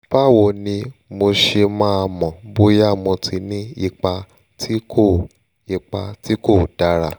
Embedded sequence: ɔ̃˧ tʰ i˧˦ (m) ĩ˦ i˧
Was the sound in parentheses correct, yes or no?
no